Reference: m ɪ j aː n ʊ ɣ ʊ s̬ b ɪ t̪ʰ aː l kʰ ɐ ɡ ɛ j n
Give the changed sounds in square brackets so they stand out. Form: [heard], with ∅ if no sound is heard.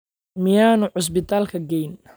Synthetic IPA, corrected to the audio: m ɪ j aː n ʊ [ʕ] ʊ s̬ b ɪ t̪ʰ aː l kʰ ɐ ɡ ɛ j n